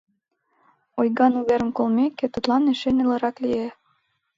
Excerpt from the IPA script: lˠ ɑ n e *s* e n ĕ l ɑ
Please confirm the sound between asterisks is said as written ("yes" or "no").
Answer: no